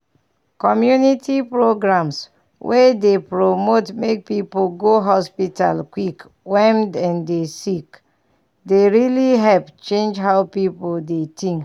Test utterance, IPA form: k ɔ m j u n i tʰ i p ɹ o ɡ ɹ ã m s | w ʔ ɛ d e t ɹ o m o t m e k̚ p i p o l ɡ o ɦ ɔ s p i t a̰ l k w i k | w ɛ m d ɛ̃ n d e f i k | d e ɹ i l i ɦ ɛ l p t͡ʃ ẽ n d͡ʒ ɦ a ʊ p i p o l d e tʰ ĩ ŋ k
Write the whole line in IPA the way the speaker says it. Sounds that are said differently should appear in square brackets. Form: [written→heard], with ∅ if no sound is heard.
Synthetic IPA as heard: k ɔ m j u n i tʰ i p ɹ o ɡ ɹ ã m s | w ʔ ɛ d e [t→p] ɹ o m o t m e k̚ p i p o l ɡ o ɦ ɔ s p i t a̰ l k w i k | w ɛ m d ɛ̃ n d e [f→s] i k | d e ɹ i l i ɦ ɛ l p t͡ʃ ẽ n d͡ʒ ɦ a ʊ p i p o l d e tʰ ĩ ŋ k